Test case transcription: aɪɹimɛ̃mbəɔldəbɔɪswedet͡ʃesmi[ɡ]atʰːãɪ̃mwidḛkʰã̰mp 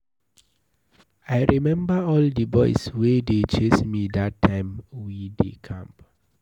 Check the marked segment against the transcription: incorrect: d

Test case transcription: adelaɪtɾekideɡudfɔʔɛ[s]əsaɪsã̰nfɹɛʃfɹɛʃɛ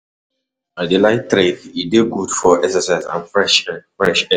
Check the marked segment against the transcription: correct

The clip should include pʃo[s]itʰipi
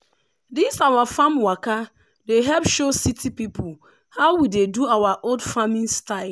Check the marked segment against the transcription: correct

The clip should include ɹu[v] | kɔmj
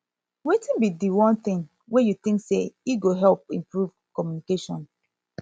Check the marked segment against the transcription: correct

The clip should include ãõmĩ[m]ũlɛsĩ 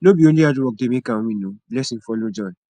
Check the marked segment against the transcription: incorrect: n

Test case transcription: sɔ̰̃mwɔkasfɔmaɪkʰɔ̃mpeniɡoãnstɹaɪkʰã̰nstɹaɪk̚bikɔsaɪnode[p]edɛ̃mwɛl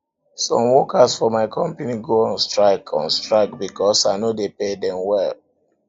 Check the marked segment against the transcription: correct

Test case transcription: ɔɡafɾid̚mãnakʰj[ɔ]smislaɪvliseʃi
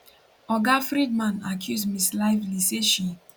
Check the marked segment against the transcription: incorrect: u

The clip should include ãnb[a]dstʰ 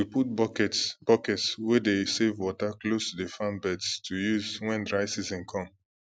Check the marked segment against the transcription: incorrect: ɛ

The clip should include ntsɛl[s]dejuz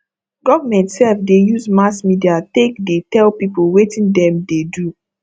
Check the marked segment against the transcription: incorrect: f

